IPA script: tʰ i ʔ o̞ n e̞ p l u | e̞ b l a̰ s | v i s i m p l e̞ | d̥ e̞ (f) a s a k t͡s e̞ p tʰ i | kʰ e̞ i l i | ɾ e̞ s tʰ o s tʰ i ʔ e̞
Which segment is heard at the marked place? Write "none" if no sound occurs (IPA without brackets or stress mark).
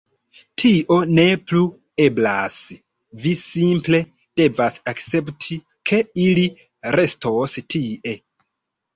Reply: v